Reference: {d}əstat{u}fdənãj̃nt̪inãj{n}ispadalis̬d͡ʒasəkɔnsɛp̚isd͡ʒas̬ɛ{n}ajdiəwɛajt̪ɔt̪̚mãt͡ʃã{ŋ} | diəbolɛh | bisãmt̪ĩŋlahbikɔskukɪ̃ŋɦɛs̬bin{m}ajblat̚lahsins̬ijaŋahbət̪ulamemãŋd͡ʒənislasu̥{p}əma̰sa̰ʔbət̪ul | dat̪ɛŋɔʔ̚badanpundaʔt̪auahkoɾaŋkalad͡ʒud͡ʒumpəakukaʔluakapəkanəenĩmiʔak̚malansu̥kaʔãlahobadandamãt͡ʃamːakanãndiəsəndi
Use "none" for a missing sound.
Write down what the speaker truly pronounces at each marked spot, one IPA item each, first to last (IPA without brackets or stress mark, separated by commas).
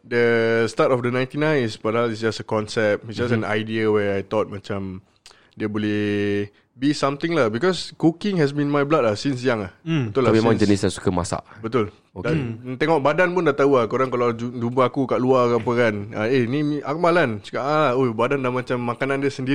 d, ɔ, n, n, m, m, k